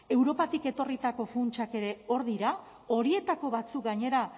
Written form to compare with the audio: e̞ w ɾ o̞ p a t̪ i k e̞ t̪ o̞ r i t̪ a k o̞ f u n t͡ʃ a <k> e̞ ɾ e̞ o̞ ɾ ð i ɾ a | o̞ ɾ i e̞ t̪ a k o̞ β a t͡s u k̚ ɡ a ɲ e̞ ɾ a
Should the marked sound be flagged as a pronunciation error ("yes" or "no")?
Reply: no